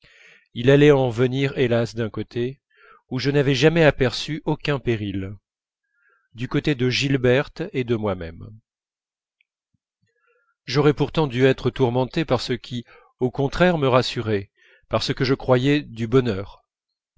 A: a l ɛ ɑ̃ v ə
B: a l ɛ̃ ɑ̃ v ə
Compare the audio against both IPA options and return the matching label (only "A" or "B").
A